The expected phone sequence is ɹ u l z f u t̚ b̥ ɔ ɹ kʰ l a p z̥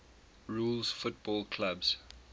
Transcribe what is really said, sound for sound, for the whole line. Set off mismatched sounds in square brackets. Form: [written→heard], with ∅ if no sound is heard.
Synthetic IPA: ɹ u l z f [u→ʊ] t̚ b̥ ɔ [ɹ→l] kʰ l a [p→b] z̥